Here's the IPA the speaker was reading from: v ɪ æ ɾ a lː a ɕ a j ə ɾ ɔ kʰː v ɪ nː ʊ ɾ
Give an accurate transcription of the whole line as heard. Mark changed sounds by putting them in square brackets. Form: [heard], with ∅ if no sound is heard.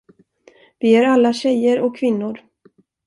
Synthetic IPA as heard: v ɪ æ ɾ a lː a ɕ [ɛ] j ə ɾ ɔ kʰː v ɪ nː ʊ ɾ